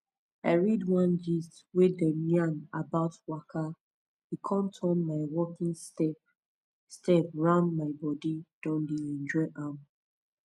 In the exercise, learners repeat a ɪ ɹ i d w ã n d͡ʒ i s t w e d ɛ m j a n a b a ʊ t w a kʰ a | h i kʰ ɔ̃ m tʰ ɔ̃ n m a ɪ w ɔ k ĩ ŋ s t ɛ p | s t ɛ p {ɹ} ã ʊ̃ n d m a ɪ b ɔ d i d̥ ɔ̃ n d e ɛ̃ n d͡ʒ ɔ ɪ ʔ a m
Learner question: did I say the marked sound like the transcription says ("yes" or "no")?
yes